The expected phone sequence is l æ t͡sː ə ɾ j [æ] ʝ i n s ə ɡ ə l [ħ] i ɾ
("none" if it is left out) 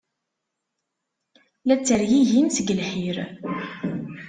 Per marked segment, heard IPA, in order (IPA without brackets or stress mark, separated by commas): i, ħ